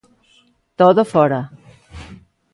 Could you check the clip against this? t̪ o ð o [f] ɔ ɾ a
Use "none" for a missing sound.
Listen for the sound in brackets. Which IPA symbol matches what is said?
f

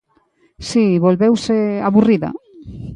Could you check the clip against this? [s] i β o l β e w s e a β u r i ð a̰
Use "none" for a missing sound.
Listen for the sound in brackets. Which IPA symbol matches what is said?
s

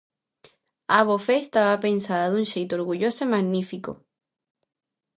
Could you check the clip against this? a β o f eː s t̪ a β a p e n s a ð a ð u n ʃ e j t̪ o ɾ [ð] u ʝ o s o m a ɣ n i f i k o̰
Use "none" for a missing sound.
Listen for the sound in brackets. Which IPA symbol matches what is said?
ɣ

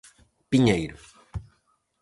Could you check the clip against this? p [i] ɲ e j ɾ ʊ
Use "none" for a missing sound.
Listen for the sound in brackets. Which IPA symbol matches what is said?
i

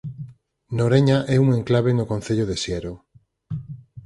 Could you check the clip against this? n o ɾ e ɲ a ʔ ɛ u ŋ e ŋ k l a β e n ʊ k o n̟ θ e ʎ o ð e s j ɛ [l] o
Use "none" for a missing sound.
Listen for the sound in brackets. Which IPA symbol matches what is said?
ɾ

